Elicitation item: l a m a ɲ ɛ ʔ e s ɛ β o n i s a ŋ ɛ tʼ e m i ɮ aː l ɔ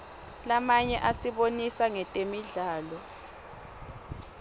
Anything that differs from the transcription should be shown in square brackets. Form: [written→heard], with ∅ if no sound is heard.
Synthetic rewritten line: l a m a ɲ ɛ ʔ [e→a] s [ɛ→i] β o n i s a ŋ ɛ tʼ e m i ɮ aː l ɔ